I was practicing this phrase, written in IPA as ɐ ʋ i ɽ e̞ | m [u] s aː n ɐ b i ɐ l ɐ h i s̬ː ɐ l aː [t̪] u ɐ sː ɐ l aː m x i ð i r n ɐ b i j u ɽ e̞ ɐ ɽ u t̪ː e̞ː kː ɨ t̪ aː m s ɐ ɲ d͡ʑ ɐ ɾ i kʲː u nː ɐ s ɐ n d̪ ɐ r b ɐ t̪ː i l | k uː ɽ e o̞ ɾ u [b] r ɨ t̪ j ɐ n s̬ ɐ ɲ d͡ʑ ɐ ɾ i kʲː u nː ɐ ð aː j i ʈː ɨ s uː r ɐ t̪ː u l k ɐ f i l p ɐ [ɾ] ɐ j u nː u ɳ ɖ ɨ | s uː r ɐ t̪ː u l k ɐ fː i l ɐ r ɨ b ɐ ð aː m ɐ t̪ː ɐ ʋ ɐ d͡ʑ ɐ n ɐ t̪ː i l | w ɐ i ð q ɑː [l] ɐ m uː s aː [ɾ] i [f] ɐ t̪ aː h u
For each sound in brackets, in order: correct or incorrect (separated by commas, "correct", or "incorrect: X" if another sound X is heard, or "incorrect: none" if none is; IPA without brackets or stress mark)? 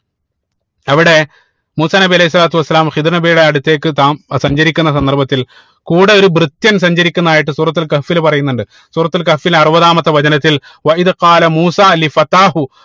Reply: incorrect: uː, correct, correct, incorrect: r, correct, incorrect: l, correct